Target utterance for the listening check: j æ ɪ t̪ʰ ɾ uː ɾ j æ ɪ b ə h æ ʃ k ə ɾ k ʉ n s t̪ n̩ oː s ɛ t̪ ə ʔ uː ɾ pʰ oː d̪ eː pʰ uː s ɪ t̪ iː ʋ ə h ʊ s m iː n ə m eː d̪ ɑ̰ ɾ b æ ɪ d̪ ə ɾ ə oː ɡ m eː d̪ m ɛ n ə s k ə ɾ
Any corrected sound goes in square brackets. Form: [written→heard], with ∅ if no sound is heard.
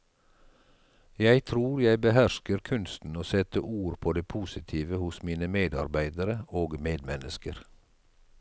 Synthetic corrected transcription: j æ ɪ t̪ʰ ɾ uː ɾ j æ ɪ b ə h æ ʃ k ə ɾ [k→kʰ] ʉ n s t̪ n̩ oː s ɛ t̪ ə ʔ uː ɾ pʰ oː d̪ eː pʰ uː s ɪ [t̪→t̪ʰ] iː ʋ ə h ʊ s m iː n ə m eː d̪ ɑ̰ ɾ b æ ɪ d̪ ə ɾ ə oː ɡ m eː d̪ m ɛ n ə s k ə ɾ